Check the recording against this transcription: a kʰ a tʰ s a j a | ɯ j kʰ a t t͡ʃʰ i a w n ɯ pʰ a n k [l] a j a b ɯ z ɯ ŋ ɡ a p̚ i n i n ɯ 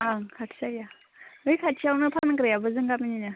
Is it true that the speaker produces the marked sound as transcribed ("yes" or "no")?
no